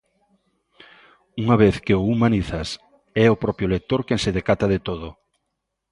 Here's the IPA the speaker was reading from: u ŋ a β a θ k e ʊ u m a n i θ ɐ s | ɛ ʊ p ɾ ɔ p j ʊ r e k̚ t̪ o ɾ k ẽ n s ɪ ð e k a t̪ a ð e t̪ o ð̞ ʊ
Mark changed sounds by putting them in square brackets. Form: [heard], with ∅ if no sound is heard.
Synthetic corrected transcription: u ŋ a β [e] θ k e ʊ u m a n i θ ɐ s | ɛ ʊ p ɾ ɔ p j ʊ [l] e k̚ t̪ o ɾ k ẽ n s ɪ ð e k a t̪ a ð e t̪ o ð̞ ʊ